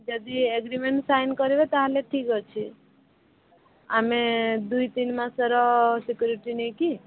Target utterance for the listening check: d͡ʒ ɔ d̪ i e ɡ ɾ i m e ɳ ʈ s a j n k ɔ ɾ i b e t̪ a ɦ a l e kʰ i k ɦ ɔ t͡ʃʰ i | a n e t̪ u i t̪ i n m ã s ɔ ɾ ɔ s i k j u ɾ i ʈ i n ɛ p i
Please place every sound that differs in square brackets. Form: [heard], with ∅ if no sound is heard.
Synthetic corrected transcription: d͡ʒ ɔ d̪ i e ɡ ɾ i m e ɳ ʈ s a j n k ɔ ɾ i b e t̪ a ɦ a l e [ʈʰ] i k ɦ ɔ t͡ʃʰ i | a [m] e [d̪] u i t̪ i n m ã s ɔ ɾ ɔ s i k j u ɾ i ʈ i n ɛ [k] i